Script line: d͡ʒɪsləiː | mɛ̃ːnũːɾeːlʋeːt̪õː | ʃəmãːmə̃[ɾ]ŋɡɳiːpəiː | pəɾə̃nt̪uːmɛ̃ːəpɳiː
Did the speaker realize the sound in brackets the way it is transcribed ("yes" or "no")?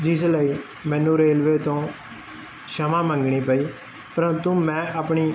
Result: no